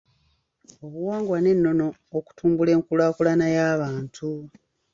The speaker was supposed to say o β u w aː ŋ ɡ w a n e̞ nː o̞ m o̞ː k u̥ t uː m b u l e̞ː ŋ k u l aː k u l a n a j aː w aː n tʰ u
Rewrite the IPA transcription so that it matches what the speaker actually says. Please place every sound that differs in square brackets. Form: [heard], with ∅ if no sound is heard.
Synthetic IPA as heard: o β u w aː ŋ ɡ w a n e̞ nː o̞ [n] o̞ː k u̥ t uː m b u l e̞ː ŋ k u l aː k u l a n a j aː [β] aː n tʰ u